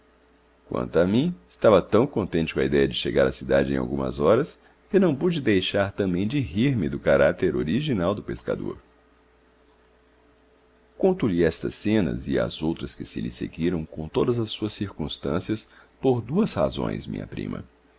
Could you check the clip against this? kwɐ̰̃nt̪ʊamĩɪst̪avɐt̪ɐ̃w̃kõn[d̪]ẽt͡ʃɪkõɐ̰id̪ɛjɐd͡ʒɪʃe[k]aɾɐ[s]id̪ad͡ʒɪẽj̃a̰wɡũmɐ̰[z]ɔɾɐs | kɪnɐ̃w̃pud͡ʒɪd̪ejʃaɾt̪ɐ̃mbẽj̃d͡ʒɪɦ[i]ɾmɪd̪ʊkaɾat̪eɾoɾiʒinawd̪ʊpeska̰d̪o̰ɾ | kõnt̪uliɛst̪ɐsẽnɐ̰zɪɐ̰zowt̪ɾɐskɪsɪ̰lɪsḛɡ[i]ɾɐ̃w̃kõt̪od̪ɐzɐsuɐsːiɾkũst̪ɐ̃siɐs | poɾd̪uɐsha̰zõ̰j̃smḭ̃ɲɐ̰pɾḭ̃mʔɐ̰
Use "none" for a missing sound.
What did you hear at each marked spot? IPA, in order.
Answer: t̪, ɡ, s, z, i, i

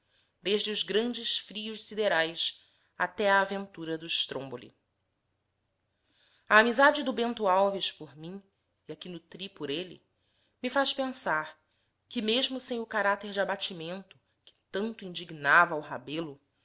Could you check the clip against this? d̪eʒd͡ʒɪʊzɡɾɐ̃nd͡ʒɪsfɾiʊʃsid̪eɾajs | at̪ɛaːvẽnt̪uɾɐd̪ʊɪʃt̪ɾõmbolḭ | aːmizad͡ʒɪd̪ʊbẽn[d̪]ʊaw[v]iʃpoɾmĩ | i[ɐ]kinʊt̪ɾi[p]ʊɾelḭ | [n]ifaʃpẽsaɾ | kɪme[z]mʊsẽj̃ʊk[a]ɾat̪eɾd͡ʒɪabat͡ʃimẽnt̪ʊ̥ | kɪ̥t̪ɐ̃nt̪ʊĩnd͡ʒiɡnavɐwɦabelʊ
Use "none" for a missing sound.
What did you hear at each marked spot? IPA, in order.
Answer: t̪, v, a, p, m, ʒ, a

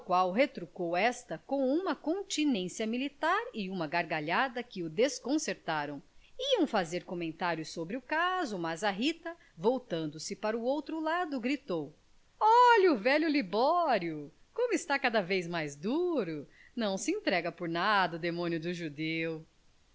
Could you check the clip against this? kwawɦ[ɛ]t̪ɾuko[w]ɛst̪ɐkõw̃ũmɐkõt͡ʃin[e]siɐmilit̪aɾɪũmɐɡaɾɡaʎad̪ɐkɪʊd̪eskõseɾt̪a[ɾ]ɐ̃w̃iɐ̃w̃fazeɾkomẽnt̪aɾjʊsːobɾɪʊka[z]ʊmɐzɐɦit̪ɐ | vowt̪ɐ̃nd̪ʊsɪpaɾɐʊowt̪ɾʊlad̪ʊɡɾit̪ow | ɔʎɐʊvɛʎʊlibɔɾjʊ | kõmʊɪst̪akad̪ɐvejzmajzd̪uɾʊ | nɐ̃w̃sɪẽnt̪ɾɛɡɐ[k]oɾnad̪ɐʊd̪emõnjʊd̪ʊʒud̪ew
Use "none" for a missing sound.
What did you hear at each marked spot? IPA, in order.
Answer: e, w, ẽ, ɾ, z, p

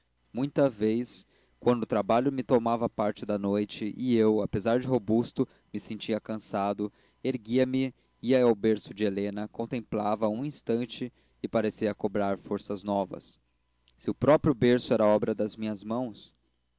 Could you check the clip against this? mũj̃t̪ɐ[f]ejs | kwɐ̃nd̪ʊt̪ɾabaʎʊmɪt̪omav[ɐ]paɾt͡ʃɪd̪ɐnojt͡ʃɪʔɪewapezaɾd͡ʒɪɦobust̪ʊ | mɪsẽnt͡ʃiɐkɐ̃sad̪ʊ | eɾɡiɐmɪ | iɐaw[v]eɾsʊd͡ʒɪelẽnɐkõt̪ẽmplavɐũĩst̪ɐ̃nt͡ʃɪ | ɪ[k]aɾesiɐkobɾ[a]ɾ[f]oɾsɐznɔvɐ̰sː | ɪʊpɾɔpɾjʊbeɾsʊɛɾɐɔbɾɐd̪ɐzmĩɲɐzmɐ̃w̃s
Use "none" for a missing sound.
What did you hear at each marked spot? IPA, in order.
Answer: v, ɐ, b, p, a, f

